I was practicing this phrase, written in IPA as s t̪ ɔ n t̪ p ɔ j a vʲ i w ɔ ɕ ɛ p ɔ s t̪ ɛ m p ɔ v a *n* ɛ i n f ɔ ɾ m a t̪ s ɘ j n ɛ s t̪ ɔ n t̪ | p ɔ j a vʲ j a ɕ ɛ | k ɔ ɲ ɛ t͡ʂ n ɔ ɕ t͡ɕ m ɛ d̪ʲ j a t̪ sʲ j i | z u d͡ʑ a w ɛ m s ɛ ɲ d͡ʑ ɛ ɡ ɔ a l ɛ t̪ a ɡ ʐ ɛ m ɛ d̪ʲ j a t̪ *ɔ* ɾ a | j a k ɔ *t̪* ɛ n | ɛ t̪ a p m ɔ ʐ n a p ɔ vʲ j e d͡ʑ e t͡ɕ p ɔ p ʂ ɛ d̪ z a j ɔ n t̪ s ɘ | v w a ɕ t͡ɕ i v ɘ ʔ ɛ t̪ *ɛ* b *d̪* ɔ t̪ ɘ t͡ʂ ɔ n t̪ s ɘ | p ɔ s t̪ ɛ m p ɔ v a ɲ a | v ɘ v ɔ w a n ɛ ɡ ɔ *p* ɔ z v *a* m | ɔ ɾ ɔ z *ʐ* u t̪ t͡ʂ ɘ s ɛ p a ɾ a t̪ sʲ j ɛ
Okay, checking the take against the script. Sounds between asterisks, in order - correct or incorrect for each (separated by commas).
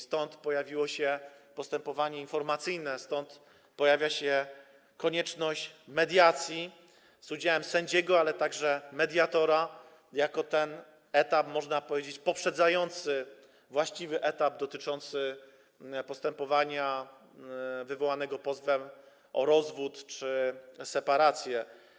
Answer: incorrect, correct, correct, incorrect, correct, correct, incorrect, incorrect